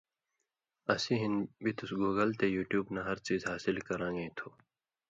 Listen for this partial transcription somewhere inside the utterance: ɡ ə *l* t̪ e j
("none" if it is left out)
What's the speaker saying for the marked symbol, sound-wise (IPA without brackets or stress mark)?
l